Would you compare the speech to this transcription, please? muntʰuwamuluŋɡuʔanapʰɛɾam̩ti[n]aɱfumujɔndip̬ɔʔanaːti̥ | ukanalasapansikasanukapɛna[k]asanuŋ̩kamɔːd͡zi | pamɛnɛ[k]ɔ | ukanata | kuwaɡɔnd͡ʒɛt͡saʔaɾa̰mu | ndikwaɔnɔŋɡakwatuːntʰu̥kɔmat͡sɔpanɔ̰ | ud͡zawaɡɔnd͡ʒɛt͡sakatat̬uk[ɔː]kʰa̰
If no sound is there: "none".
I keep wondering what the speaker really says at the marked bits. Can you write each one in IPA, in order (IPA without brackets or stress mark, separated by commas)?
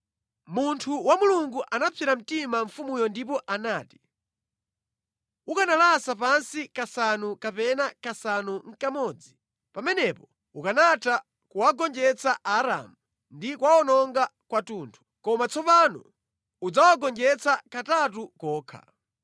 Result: m, k, p, ɔː